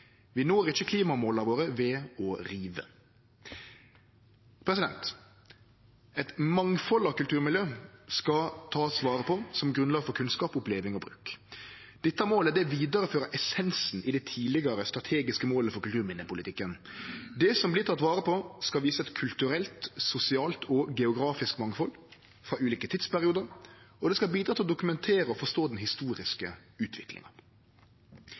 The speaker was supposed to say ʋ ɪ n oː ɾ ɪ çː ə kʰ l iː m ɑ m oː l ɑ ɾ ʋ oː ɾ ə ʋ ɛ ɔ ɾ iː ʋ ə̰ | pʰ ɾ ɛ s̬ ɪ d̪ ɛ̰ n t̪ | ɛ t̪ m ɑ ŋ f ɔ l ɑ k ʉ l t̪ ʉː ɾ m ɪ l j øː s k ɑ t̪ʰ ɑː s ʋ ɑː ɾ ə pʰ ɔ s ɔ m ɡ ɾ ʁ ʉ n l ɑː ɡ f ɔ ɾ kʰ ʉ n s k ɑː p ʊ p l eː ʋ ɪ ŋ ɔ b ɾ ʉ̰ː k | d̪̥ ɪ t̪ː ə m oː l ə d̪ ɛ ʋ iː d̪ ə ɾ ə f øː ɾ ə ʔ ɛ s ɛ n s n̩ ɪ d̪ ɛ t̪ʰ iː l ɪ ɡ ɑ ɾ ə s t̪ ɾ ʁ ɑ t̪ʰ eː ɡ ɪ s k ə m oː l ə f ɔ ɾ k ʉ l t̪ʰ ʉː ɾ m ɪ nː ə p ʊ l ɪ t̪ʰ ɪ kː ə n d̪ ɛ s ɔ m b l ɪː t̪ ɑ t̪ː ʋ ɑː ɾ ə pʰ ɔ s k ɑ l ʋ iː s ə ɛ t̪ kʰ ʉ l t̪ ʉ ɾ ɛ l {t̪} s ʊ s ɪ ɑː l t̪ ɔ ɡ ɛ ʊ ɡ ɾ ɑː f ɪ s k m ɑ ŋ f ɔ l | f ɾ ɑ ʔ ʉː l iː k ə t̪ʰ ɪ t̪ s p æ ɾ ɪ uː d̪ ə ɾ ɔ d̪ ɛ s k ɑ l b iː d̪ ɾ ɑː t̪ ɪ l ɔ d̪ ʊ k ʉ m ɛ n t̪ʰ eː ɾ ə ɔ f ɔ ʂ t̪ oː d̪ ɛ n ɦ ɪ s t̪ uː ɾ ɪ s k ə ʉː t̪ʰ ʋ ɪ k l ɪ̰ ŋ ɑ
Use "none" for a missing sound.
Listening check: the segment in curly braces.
t̪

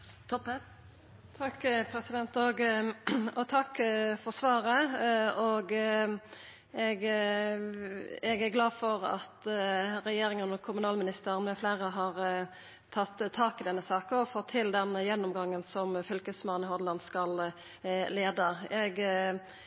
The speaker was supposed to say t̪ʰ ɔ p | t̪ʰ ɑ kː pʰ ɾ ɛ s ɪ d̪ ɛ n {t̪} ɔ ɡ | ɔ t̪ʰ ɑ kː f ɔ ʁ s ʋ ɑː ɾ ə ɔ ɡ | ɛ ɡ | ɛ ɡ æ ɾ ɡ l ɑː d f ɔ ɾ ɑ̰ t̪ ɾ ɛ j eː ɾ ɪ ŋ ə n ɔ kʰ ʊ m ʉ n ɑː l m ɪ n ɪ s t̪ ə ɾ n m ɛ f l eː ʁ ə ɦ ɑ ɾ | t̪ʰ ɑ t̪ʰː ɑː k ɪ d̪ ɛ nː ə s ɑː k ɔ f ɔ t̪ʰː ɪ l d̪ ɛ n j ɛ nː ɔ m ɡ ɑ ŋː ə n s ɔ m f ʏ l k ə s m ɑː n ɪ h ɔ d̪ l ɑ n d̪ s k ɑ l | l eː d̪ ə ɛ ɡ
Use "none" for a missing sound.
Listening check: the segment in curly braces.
t̪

